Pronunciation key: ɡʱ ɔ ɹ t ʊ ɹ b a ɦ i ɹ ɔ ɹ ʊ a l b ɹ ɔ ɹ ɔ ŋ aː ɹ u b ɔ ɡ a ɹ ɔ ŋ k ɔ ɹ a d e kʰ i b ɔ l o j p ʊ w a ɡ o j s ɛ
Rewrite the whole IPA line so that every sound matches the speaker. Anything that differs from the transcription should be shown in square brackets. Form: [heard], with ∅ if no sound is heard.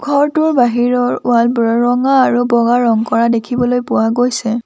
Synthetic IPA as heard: ɡʱ ɔ ɹ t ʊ ɹ b a ɦ i ɹ ɔ ɹ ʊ a l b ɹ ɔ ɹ ɔ ŋ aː ɹ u b ɔ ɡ a ɹ ɔ ŋ k ɔ ɹ a d e kʰ i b ɔ l o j p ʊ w a ɡ o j s ɛ